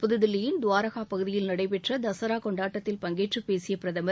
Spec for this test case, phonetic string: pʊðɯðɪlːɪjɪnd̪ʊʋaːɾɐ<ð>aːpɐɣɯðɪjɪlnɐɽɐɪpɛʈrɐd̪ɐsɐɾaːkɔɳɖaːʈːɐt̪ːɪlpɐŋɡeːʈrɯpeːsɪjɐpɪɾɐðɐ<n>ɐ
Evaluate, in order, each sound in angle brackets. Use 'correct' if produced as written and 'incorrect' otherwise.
incorrect: ɣ, incorrect: m

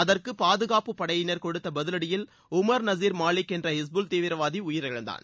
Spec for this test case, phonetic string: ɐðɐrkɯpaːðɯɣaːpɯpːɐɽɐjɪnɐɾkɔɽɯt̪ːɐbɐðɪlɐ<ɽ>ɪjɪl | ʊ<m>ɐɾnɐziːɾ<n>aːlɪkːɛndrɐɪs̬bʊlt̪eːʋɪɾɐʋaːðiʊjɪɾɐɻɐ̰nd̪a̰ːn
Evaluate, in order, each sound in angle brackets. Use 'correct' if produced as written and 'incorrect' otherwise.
correct, correct, incorrect: m

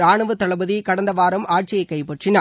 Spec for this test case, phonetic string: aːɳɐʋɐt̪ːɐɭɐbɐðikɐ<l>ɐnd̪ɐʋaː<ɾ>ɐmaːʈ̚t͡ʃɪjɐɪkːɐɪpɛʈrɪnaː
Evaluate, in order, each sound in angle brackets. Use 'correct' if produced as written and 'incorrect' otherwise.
incorrect: ɽ, correct

